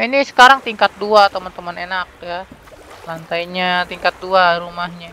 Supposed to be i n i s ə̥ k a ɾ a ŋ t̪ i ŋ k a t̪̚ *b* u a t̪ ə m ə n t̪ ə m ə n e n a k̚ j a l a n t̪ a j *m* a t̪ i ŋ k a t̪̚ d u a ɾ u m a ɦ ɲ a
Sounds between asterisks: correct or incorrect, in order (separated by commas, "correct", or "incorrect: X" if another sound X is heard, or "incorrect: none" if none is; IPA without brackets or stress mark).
incorrect: d, incorrect: ɲ